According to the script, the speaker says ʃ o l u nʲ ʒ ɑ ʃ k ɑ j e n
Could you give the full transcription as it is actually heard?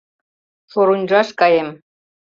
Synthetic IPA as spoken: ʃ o ɾ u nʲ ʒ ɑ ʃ k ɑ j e m